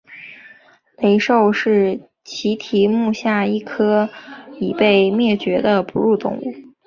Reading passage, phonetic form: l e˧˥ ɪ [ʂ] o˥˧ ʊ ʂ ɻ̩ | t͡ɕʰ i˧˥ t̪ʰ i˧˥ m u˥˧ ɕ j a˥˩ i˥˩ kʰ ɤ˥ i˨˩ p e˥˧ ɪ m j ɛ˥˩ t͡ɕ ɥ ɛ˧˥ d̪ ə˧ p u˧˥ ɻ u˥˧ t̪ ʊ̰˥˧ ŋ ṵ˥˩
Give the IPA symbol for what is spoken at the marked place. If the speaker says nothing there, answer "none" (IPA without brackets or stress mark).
ʂ